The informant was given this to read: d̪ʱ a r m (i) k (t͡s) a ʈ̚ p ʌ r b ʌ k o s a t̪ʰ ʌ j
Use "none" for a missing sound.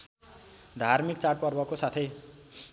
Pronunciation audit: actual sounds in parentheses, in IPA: i, t͡s

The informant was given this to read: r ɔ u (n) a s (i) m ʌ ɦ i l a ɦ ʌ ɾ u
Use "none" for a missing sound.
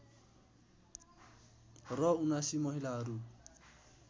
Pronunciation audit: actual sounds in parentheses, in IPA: n, i

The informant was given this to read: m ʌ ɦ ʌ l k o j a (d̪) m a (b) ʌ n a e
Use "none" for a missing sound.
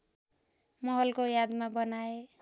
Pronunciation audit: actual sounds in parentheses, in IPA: d̪, b

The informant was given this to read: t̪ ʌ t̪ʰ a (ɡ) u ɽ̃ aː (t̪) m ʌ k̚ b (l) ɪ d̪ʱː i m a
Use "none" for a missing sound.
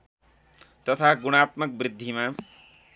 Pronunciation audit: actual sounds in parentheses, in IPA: ɡ, t̪, ɾ

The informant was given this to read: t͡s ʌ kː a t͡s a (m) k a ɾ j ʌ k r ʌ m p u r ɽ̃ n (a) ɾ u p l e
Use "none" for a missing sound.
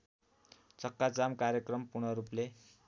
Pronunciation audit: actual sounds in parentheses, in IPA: m, ʌ

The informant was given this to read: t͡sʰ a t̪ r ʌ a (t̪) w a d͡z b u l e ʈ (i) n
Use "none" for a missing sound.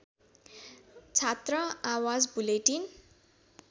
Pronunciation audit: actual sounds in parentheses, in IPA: none, i

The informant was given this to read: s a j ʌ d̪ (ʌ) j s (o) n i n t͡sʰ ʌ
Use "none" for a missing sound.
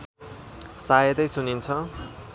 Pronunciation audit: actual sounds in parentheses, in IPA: ʌ, u

